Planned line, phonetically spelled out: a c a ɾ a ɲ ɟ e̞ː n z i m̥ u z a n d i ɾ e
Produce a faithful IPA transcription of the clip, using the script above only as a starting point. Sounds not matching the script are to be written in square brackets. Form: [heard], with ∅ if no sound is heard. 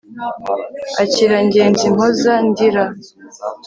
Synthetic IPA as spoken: a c [i] ɾ a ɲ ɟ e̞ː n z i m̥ [o] z a n d i ɾ [a]